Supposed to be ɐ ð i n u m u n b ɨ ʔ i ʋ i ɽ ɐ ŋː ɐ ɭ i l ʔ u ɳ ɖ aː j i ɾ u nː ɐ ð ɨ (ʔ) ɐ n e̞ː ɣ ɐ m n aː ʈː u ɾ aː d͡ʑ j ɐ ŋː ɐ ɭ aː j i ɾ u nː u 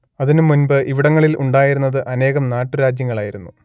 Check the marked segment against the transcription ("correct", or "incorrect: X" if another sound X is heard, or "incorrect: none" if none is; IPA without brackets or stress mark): correct